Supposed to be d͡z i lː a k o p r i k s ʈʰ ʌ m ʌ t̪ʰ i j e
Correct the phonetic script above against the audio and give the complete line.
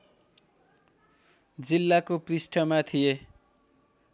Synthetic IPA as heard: d͡z i lː a k o p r i s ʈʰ ʌ m a t̪ʰ i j e